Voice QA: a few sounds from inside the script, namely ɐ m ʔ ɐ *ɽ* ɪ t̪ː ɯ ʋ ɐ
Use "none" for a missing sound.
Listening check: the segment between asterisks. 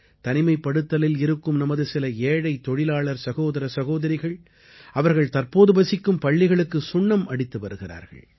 ɽ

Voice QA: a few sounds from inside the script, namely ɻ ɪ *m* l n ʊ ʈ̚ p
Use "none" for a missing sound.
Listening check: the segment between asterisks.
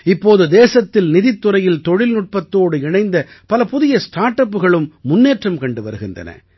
none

